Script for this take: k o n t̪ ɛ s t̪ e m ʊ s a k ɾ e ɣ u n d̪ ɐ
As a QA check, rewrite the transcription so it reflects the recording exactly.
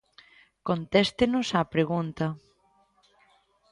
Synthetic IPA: k o n t̪ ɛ s t̪ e n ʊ s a p ɾ e ɣ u n t̪ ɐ